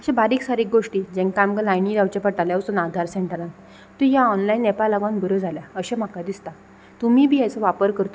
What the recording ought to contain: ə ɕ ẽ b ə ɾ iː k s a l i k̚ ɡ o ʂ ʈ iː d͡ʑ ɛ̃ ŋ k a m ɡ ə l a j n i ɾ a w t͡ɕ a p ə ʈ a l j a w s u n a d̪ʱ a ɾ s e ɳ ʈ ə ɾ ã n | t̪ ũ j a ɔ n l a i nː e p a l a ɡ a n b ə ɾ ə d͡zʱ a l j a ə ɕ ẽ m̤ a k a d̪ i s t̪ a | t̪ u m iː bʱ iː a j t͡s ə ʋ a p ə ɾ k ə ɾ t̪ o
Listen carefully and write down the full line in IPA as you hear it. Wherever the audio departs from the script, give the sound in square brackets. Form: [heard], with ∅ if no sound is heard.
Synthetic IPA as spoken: ə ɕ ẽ b [a] ɾ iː k s a [ɾ] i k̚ ɡ o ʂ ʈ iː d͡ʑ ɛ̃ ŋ k a m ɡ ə l a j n i ɾ a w t͡ɕ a p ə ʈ a l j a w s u n a d̪ʱ a ɾ s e ɳ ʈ ə ɾ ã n | t̪ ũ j a ɔ n l a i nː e p a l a ɡ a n b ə ɾ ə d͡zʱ a l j a ə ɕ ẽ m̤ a k a d̪ i s t̪ a | t̪ u m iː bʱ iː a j t͡s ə ʋ a p ə ɾ k ə ɾ t̪ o